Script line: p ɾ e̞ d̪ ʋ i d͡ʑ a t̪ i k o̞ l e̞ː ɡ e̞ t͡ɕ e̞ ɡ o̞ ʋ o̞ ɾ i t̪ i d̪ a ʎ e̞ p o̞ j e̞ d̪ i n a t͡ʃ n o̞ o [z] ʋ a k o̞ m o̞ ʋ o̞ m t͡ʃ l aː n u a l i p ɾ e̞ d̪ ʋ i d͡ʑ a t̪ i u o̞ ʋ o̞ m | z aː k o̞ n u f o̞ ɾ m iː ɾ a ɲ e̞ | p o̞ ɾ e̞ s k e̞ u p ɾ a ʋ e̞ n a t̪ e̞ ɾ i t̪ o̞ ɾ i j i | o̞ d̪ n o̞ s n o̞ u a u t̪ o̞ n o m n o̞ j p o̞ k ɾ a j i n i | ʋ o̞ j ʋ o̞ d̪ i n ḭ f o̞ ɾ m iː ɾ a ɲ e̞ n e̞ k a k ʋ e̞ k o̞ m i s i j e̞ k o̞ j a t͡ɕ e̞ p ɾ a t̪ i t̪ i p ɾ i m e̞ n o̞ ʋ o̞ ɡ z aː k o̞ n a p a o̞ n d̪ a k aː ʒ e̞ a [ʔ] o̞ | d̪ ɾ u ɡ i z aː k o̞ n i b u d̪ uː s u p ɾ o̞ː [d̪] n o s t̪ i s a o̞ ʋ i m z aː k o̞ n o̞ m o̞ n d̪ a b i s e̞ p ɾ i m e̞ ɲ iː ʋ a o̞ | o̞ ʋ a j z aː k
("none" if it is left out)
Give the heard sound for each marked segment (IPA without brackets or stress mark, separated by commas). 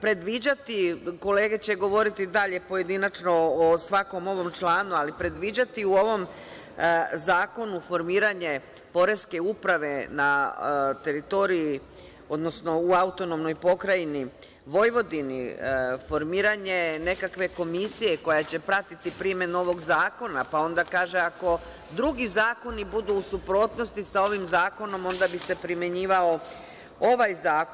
s, k, t̪